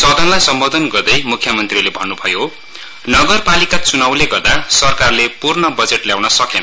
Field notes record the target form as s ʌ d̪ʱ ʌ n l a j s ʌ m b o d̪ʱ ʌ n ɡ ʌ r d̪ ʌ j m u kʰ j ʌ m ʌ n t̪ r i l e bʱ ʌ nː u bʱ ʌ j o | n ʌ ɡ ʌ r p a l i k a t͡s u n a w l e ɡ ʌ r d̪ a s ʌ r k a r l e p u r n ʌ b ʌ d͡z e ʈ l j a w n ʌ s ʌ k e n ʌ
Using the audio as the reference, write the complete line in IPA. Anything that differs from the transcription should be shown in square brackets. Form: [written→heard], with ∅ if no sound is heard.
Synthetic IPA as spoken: s ʌ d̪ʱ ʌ n l a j s ʌ m b o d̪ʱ ʌ n ɡ ʌ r d̪ ʌ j m u kʰ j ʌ m ʌ n t̪ r i l e bʱ ʌ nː u bʱ ʌ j o | n ʌ ɡ ʌ r p a l i k a t͡s u n a w l e ɡ ʌ r d̪ a s ʌ r k a r l e p u r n ʌ b ʌ d͡z e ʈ l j a w n ʌ s ʌ k e n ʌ